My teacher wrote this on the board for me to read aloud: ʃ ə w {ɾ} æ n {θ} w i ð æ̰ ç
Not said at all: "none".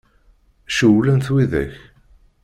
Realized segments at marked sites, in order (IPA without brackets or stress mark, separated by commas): l, θ